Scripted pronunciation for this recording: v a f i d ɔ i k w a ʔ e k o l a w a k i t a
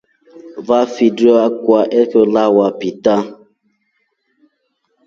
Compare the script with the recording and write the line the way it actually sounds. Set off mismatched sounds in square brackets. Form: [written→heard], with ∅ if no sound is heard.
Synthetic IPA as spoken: v a f i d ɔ [i→a] k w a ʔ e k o l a w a [k→p] i t a